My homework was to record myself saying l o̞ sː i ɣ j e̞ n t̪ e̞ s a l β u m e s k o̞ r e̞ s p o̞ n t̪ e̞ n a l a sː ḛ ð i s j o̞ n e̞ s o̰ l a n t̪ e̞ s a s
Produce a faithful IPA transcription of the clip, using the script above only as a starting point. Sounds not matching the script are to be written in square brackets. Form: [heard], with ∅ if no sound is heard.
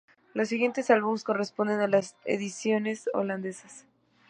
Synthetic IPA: l o̞ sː i ɣ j e̞ n t̪ e̞ s a l β u m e s k o̞ r e̞ s p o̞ n [d̪] e̞ n a l a [s] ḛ ð i s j o̞ n e̞ s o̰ l a n [d̪] e̞ s a s